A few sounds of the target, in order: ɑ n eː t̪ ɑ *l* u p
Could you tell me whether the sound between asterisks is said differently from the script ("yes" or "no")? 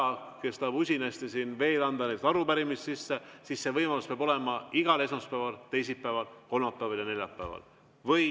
yes